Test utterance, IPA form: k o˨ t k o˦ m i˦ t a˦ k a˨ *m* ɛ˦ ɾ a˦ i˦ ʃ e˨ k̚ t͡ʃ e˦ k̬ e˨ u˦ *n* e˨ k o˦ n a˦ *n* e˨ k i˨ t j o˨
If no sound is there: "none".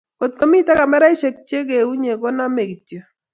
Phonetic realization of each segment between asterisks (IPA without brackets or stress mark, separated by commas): m, ɲ, m